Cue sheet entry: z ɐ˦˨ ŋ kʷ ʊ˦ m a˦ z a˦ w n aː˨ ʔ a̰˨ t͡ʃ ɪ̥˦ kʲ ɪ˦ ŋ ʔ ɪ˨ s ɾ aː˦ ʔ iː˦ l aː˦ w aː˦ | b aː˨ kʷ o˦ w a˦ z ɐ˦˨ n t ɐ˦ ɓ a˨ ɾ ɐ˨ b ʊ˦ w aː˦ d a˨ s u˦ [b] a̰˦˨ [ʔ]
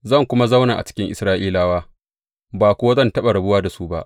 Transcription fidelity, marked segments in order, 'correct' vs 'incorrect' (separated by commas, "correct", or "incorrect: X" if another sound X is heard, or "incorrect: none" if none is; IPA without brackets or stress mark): correct, correct